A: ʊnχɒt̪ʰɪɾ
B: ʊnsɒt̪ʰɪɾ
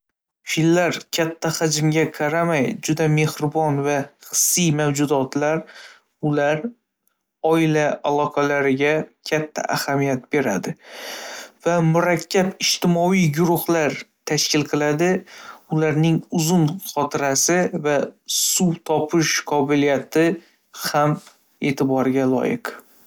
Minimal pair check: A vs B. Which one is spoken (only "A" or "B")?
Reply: A